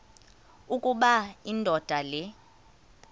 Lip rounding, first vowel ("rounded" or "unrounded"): rounded